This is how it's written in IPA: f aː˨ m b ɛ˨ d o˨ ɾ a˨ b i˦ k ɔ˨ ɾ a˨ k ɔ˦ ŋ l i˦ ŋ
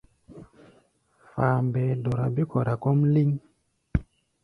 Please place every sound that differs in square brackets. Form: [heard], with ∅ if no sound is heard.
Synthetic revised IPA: f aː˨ m b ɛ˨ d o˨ ɾ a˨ b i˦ k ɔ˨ ɾ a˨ k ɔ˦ [m] l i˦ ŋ